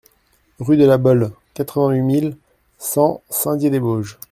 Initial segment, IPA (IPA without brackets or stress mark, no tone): ʁ